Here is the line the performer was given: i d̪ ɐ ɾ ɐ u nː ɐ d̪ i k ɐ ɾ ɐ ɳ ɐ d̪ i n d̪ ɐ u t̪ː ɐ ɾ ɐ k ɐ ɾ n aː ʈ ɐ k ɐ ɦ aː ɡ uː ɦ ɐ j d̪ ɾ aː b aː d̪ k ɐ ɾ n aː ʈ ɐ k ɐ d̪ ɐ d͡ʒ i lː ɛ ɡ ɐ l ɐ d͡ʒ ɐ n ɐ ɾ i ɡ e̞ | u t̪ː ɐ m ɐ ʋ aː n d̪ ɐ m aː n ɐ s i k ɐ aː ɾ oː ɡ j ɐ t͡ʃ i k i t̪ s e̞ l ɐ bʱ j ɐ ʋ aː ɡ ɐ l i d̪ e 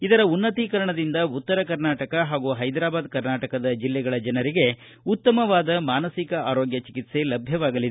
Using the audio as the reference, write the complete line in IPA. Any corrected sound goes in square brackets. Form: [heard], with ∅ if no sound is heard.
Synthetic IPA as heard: i d̪ ɐ ɾ ɐ u nː ɐ [t̪] i k ɐ ɾ ɐ ɳ ɐ d̪ i n d̪ ɐ u t̪ː ɐ ɾ ɐ k ɐ ɾ n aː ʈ ɐ k ɐ ɦ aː ɡ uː ɦ ɐ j d̪ ɾ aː b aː d̪ k ɐ ɾ n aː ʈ ɐ k ɐ d̪ ɐ d͡ʒ i lː ɛ ɡ ɐ [ɭ] ɐ d͡ʒ ɐ n ɐ ɾ i ɡ e̞ | u t̪ː ɐ m ɐ ʋ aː [∅] d̪ ɐ m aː n ɐ s i k ɐ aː ɾ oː ɡ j ɐ t͡ʃ i k i t̪ s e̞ l ɐ bʱ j ɐ ʋ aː ɡ ɐ l i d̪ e